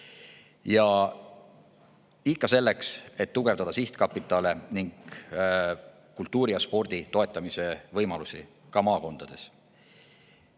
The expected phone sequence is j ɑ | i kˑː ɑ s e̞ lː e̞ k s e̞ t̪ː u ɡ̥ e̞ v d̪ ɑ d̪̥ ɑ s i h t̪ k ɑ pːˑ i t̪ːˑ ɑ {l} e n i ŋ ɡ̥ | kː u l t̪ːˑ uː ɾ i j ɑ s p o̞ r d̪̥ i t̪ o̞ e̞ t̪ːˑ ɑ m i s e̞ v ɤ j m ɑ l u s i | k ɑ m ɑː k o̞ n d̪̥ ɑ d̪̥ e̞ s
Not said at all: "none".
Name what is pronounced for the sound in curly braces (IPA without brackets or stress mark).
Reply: l